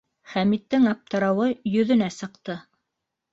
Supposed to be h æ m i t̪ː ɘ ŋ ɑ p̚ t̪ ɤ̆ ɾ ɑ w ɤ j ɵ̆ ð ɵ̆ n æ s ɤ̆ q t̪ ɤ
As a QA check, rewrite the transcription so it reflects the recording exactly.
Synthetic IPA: χ æ m i t̪ː ɘ ŋ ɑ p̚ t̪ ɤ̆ ɾ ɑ w ɤ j ɵ̆ ð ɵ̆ n æ s ɤ̆ q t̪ ɤ